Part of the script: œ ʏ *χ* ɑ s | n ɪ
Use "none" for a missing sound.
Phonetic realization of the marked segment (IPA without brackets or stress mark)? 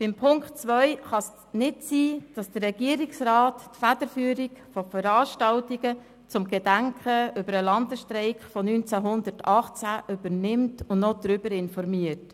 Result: χ